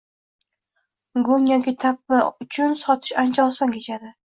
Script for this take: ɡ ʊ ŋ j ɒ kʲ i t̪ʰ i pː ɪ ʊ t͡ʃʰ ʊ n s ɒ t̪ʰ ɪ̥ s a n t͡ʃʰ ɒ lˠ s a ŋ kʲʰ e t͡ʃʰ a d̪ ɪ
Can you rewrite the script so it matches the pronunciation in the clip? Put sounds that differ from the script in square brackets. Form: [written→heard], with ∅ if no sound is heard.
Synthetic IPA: ɡ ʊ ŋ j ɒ kʲ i t̪ʰ [i→a] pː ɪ ʊ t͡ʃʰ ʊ n s ɒ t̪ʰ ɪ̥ [s→ʃ] a n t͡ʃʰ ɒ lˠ s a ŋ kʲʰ e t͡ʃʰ a d̪ ɪ

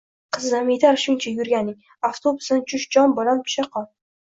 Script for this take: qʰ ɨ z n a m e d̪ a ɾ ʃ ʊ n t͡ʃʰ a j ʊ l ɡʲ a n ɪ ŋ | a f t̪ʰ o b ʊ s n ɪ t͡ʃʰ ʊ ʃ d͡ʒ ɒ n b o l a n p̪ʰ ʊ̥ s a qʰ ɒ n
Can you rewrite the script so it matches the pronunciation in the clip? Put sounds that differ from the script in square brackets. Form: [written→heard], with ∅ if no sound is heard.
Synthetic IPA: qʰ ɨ z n a m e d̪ a ɾ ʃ ʊ n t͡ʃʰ a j ʊ [l→ɾ] ɡʲ a n ɪ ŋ | a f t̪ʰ o b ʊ s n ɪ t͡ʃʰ ʊ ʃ d͡ʒ ɒ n b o l a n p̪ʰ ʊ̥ [s→ʃ] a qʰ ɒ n

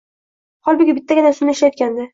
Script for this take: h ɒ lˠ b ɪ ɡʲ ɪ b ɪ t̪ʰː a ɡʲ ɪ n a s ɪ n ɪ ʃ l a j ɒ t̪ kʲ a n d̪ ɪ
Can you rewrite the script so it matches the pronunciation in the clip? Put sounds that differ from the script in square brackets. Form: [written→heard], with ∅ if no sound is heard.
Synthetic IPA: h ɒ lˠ b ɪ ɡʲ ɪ b ɪ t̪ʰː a ɡʲ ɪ n a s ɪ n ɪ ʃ l a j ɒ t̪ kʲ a n d̪ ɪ

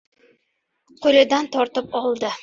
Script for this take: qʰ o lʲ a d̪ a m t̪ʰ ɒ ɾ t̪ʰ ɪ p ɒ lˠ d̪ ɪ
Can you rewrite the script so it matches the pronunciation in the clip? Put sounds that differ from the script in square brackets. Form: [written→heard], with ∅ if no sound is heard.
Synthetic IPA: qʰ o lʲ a d̪ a [m→n] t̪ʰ ɒ ɾ [t̪ʰ→t̪] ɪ p ɒ lˠ d̪ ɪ

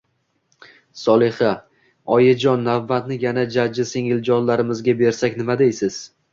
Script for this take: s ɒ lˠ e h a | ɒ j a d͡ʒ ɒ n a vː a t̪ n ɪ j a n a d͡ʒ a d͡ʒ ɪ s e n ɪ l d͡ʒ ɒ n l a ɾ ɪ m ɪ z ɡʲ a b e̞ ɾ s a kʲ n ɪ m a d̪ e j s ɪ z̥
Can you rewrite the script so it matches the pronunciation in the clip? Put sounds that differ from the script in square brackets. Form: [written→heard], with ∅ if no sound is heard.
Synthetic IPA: s ɒ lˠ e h a | ɒ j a d͡ʒ ɒ [n→nː] a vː a t̪ n ɪ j a n a d͡ʒ a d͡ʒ ɪ s e [n→ŋ] ɪ l d͡ʒ ɒ n l a ɾ ɪ m ɪ z ɡʲ a b e̞ ɾ s a kʲ n ɪ m a d̪ e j s ɪ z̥

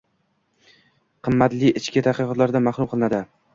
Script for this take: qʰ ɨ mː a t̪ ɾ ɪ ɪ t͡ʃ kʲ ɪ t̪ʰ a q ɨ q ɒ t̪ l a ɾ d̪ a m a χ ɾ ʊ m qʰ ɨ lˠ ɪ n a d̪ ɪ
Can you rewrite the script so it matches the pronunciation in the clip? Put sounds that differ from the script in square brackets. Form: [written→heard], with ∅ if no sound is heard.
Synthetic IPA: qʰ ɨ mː a t̪ [ɾ→l] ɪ ɪ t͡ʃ kʲ ɪ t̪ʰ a q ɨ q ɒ t̪ l a ɾ d̪ a m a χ ɾ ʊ m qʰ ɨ lˠ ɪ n a d̪ ɪ

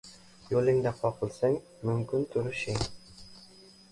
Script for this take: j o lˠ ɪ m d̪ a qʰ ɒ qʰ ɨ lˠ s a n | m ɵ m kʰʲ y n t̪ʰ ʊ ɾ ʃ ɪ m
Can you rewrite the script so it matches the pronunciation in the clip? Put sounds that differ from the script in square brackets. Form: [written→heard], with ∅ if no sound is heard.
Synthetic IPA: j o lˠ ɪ [m→ŋ] d̪ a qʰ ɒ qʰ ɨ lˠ s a [n→ŋ] | m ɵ m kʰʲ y n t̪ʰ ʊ ɾ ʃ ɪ [m→ŋ]

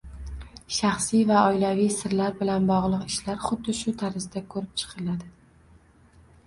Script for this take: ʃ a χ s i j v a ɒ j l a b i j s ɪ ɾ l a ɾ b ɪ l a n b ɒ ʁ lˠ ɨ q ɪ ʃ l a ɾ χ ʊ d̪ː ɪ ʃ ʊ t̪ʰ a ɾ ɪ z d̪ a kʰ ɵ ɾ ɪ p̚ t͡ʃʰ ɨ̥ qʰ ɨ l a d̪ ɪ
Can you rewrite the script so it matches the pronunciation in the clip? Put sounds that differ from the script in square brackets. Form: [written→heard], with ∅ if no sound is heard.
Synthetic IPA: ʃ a χ s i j v a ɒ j l a [b→v] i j s ɪ ɾ l a ɾ b ɪ l a n b ɒ ʁ lˠ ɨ q ɪ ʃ l a ɾ χ ʊ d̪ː ɪ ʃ ʊ t̪ʰ a ɾ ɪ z d̪ a kʰ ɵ ɾ ɪ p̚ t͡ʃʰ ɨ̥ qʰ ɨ l a d̪ ɪ

